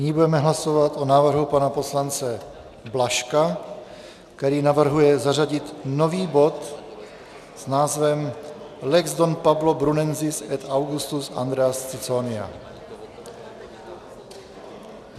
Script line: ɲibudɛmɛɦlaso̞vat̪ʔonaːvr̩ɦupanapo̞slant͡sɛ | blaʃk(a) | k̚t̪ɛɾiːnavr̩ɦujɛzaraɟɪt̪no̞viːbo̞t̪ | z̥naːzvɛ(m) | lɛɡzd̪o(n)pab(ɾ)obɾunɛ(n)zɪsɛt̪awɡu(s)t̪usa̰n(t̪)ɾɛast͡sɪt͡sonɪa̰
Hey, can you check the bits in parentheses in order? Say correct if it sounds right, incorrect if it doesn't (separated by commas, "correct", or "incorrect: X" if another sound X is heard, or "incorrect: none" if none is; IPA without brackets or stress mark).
correct, correct, correct, incorrect: l, correct, correct, incorrect: d̪